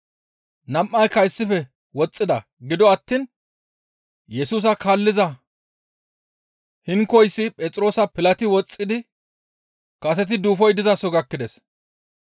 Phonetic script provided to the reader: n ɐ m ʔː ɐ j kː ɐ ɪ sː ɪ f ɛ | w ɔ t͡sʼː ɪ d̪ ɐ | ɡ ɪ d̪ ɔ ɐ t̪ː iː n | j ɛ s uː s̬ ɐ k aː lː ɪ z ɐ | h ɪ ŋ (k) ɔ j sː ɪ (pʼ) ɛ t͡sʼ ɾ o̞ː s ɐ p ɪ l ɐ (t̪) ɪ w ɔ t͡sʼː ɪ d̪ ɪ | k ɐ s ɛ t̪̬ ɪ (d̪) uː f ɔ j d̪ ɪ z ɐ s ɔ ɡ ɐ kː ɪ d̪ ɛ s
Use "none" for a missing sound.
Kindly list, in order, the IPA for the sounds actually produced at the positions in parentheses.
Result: k, pʼ, t̪, d̪

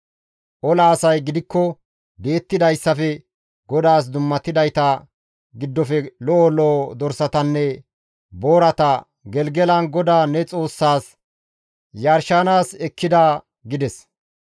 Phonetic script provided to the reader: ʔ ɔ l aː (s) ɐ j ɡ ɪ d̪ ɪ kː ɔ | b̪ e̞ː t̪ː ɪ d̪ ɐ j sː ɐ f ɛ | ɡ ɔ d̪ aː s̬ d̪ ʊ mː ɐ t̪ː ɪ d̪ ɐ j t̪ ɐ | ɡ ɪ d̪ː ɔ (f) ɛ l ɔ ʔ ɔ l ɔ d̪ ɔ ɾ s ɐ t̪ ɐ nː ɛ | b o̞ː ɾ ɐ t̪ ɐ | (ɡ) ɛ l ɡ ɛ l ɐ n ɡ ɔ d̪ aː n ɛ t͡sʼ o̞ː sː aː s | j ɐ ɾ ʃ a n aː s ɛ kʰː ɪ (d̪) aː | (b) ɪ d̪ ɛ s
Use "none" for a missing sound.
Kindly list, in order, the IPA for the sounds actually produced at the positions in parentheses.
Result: s, f, ɡ, d̪, ɡ

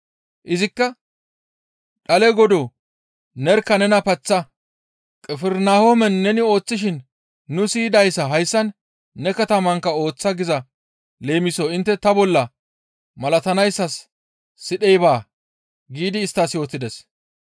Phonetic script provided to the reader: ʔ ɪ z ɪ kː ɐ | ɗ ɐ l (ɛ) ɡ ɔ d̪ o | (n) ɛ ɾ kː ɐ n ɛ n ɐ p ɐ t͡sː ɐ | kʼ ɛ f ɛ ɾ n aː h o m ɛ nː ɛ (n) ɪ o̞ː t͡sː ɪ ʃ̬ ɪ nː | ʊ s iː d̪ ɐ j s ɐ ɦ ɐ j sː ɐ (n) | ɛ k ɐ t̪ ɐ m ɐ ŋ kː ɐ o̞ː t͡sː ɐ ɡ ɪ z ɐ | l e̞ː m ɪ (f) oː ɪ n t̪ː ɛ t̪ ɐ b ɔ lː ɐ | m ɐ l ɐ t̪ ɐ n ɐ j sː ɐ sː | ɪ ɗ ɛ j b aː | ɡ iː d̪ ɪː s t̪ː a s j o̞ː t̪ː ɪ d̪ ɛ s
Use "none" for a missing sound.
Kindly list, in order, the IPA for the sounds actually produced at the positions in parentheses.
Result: ɛ, n, n, nː, s

